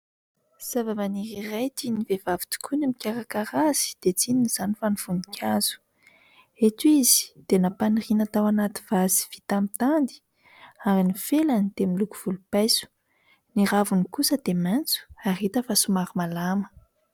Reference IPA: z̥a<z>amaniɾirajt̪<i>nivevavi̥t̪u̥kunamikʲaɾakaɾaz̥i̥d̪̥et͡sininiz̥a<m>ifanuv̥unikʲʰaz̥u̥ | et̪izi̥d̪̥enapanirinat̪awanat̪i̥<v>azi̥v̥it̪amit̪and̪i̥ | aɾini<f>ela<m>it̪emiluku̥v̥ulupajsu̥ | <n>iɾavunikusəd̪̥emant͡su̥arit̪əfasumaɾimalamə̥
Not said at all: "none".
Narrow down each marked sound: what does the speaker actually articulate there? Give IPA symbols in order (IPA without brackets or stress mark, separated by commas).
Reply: v, i, n, v, f, n, n